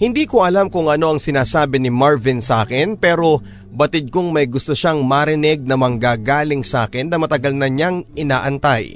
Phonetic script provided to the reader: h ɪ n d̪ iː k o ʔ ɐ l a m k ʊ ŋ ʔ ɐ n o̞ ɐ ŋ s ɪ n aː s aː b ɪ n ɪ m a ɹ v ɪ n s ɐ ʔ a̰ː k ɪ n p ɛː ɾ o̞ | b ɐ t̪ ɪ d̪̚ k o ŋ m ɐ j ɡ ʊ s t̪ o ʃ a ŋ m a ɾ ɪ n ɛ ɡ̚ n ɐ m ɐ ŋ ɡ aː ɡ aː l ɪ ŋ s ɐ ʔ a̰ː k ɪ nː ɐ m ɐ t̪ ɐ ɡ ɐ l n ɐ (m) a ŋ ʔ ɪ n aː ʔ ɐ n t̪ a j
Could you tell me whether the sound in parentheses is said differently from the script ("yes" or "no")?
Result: yes